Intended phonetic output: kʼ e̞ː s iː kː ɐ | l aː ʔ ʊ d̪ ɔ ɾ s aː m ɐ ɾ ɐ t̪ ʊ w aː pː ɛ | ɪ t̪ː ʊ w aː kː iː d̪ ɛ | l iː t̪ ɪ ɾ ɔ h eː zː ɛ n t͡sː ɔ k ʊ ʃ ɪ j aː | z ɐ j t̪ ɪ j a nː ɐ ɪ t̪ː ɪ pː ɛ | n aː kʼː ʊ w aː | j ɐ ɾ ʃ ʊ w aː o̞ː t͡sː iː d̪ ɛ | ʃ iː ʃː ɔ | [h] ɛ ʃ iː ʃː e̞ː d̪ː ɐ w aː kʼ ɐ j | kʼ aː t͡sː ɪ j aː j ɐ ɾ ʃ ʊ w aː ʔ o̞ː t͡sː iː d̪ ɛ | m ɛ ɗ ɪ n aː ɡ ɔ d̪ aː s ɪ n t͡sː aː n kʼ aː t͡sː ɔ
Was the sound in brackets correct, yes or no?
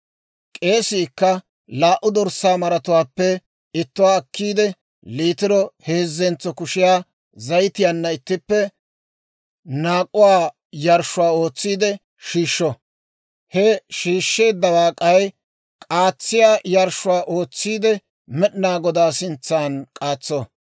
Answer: yes